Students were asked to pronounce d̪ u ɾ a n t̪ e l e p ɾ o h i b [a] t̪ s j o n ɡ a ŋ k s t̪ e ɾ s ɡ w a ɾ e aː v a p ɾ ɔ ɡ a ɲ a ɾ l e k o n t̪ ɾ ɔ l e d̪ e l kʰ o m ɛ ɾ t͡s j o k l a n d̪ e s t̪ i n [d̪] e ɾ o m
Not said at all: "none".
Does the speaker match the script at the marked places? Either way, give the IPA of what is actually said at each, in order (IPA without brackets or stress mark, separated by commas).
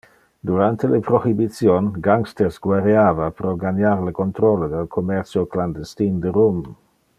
i, d̪